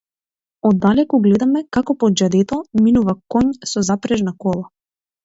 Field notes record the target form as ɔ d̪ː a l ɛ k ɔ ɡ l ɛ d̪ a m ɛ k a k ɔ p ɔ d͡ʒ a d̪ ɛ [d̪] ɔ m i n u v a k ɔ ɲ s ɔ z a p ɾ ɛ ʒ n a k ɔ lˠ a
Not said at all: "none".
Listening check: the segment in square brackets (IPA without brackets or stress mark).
t̪